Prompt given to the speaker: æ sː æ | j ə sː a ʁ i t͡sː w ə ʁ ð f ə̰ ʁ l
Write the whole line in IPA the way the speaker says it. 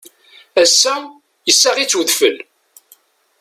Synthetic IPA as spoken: æ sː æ | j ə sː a ʁ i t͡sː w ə ð f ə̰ l